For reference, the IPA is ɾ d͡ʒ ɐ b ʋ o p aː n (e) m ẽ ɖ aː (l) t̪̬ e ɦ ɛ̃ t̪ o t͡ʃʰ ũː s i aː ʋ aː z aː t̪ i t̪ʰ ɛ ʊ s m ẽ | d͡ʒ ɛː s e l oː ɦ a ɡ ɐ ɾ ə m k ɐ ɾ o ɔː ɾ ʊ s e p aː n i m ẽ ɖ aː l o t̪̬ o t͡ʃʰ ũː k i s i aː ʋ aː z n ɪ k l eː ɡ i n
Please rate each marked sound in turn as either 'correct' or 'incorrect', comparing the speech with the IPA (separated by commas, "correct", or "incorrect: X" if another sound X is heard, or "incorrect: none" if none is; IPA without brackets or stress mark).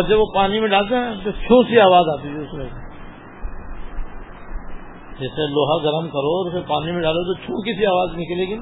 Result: incorrect: i, correct